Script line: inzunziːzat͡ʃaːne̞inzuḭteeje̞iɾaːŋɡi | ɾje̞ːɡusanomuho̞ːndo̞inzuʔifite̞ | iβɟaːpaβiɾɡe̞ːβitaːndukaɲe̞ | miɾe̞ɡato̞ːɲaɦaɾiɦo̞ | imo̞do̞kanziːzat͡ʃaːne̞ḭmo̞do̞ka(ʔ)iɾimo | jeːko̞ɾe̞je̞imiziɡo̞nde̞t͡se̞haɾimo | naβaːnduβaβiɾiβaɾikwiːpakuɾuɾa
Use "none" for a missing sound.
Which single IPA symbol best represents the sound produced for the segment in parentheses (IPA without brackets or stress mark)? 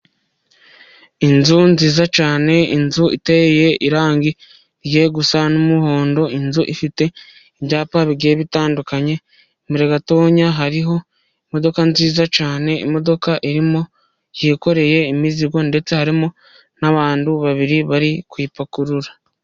ʔ